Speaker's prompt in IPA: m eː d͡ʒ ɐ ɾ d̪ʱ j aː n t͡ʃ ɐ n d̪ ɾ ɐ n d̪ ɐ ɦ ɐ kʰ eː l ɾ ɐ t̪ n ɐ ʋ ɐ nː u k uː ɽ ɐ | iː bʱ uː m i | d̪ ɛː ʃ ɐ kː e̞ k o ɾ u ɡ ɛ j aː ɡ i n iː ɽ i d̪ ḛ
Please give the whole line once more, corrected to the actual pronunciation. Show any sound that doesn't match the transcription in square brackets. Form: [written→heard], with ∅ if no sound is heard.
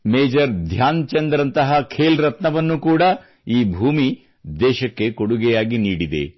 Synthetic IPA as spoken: m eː d͡ʒ ɐ ɾ d̪ʱ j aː n t͡ʃ ɐ n d̪ ɾ ɐ n [d̪→t̪] ɐ ɦ ɐ kʰ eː l ɾ ɐ t̪ n ɐ ʋ ɐ nː u k uː ɽ ɐ | iː bʱ uː m i | d̪ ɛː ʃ ɐ kː e̞ k o [ɾ→ɽ] u ɡ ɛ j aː ɡ i n iː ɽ i d̪ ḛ